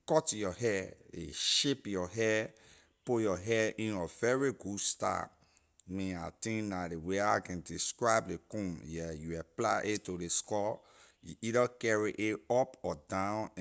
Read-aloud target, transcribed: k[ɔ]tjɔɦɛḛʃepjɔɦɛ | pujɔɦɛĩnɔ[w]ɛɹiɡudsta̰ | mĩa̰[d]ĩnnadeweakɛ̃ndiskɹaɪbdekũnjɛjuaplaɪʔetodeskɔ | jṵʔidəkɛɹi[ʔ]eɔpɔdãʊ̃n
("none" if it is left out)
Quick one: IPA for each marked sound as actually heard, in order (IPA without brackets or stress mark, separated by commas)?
ɔ, v, t, ʔ